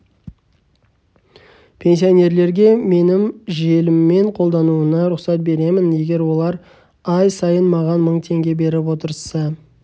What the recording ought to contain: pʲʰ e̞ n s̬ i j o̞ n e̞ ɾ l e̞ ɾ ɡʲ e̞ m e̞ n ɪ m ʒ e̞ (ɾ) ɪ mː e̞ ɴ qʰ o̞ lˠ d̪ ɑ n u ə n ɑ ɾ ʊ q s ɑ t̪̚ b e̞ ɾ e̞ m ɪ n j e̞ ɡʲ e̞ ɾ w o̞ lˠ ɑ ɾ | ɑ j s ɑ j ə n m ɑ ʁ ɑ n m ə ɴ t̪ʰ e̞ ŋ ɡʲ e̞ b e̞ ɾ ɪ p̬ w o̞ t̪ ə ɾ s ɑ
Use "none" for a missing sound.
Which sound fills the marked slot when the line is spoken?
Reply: l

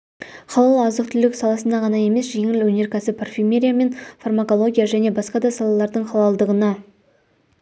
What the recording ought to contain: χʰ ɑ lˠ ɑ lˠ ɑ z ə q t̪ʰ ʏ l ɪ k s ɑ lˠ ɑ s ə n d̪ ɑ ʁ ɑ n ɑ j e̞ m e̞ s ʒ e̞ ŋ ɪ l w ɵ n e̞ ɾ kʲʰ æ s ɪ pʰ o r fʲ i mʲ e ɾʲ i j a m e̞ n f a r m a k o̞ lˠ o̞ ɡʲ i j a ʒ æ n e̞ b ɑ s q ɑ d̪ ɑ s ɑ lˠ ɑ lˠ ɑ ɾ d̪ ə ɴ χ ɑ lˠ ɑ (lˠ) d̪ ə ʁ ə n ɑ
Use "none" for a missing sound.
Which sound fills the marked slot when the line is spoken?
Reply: lˠ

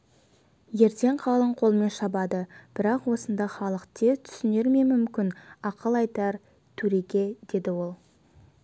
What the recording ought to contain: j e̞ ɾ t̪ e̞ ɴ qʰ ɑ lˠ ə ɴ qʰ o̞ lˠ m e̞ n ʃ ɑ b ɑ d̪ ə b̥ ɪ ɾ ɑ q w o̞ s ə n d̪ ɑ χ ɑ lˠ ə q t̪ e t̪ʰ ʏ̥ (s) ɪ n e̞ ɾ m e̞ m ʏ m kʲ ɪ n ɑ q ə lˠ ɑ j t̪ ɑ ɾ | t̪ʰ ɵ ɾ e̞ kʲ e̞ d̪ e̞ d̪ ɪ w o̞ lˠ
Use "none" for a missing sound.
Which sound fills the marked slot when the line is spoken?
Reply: s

